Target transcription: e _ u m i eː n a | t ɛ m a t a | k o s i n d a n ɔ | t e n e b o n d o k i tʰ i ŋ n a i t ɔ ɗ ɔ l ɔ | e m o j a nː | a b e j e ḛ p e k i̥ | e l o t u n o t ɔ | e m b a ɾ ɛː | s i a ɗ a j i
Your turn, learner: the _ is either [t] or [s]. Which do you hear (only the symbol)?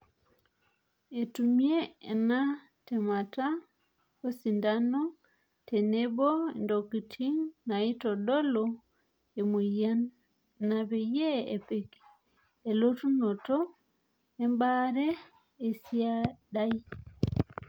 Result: t